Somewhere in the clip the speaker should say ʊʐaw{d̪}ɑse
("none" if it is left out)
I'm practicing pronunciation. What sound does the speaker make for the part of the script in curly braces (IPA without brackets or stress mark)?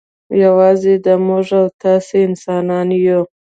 t̪